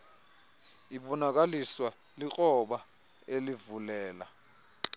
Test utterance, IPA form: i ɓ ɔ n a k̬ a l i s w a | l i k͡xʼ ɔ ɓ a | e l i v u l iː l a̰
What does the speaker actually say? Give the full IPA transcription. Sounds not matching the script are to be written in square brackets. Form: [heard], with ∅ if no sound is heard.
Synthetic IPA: i ɓ ɔ n a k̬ a l i s w a | l i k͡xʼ ɔ ɓ a | e l i v u l [ɛː] l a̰